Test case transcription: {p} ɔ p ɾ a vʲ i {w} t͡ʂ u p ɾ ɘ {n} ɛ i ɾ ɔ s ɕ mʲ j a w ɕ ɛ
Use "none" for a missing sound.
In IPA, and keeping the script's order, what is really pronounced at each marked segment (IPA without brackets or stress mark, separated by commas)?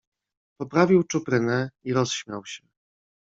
p, w, n